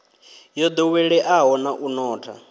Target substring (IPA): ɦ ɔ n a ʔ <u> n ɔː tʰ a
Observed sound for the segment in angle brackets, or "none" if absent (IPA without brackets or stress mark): u